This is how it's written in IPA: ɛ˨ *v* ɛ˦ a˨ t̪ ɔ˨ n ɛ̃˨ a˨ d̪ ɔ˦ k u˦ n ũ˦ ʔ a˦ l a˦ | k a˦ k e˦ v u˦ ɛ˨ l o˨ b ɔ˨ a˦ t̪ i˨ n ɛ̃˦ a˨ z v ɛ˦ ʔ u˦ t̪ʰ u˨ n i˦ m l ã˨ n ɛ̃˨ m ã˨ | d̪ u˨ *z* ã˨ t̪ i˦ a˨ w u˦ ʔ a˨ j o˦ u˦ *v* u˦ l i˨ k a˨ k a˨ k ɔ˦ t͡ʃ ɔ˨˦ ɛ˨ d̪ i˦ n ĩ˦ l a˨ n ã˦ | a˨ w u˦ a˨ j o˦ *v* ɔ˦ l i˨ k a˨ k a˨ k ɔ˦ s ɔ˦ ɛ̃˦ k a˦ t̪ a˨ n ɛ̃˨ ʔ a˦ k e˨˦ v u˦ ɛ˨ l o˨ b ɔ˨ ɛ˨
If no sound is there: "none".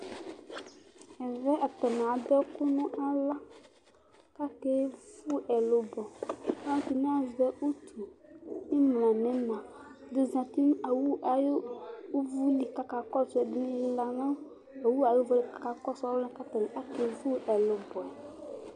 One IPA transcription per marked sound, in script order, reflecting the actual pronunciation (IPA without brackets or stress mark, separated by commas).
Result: v, z, v, v